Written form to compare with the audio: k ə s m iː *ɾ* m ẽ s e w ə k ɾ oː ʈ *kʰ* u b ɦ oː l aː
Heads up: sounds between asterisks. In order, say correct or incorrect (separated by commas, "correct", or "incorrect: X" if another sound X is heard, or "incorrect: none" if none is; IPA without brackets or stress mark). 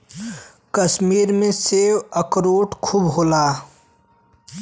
correct, correct